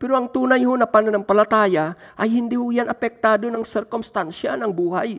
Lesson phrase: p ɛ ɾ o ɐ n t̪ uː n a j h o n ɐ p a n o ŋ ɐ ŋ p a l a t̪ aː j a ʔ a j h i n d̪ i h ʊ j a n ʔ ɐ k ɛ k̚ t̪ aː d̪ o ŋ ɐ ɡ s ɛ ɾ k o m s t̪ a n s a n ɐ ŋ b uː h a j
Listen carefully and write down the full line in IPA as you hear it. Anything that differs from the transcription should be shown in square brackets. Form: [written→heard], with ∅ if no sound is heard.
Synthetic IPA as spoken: p ɛ ɾ o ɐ [n→ŋ] t̪ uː n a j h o n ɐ p a n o [ŋ→n] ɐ ŋ p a l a t̪ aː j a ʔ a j h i n d̪ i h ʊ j a n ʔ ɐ [k→p] ɛ k̚ t̪ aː d̪ o [ŋ→n] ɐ [ɡ→ŋ] s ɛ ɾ k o m s t̪ a n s a n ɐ ŋ b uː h a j